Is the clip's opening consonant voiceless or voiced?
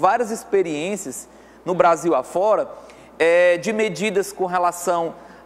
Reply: voiced